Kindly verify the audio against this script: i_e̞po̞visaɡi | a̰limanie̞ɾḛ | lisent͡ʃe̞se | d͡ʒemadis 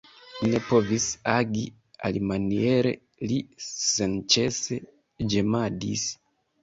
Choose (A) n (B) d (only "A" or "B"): A